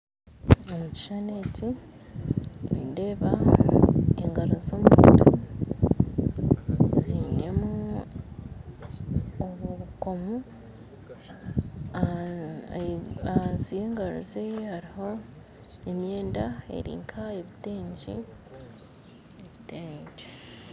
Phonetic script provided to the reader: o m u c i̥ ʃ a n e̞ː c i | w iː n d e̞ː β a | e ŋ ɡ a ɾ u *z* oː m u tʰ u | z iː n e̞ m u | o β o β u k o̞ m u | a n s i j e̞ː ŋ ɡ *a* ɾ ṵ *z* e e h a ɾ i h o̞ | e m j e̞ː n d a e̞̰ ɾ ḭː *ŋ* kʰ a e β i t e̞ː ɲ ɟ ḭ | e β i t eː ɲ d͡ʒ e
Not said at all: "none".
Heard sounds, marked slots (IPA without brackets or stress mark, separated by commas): z, a, z, ŋ